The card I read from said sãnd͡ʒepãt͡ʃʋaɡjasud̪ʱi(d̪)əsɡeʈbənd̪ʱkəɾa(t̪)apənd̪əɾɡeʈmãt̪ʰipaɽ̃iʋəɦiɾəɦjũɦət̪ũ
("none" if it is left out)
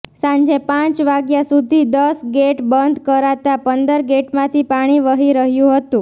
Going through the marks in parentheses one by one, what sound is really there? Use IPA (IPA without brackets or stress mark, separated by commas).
d̪, t̪